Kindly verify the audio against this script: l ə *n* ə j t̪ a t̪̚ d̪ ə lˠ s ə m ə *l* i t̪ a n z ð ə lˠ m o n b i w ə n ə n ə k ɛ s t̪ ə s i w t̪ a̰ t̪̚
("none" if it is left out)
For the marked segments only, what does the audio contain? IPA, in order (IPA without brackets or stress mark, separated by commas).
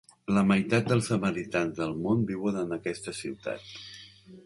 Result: m, ɾ